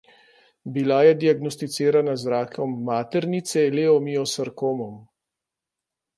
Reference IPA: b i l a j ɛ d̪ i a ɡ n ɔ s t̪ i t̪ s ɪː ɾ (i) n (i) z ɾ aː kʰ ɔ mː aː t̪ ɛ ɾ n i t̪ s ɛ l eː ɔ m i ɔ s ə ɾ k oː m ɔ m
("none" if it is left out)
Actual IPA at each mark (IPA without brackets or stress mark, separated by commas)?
a, a